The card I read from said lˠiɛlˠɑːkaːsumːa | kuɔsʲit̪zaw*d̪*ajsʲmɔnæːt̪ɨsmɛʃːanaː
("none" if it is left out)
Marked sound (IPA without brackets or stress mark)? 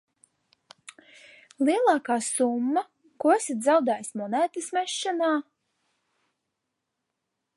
d̪